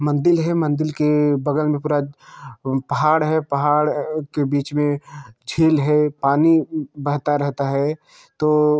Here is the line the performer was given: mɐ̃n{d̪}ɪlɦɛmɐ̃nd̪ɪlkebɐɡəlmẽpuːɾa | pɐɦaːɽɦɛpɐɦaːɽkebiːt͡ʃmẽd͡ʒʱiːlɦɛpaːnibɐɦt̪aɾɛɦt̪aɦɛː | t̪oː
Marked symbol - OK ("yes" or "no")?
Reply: yes